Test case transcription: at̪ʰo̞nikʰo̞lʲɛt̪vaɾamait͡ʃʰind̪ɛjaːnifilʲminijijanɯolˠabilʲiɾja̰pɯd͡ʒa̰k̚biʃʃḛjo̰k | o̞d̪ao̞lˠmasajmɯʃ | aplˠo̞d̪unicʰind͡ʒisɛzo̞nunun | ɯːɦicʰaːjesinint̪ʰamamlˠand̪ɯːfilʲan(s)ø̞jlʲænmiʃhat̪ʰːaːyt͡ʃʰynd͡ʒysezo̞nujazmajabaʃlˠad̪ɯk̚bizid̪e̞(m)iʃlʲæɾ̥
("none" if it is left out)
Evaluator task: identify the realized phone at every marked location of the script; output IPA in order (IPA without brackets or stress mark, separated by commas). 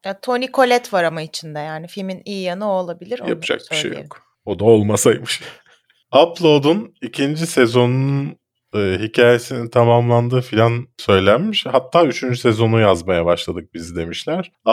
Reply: s, m